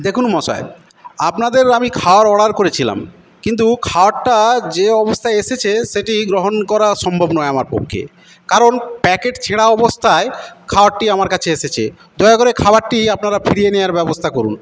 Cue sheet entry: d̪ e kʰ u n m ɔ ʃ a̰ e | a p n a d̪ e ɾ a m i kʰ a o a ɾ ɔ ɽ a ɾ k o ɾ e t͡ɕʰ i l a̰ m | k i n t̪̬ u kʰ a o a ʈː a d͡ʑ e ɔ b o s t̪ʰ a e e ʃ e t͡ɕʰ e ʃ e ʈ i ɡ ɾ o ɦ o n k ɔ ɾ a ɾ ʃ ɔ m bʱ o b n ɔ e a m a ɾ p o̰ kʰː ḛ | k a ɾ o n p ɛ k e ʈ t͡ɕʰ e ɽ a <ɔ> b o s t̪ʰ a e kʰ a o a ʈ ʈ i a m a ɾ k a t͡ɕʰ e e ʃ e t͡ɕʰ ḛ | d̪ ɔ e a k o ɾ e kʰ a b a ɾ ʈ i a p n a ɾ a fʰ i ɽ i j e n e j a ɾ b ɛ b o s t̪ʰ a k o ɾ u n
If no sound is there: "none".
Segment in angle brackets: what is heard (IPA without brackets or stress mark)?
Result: ɔ